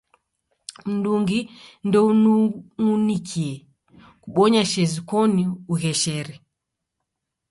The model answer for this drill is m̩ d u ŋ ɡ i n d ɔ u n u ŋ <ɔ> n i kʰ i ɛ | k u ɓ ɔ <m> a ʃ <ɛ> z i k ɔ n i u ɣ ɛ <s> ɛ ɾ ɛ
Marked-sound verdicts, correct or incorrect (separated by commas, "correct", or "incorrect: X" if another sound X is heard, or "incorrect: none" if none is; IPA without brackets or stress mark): incorrect: u, incorrect: ɲ, correct, incorrect: ʃ